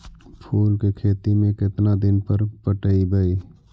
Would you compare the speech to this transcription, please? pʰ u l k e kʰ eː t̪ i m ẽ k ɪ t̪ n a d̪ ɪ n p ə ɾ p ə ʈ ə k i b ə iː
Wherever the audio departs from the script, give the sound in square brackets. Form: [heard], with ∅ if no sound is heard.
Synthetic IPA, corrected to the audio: pʰ [uː] l k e kʰ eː t̪ i m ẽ k ɪ t̪ n a d̪ ɪ n p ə ɾ p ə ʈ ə [∅] i b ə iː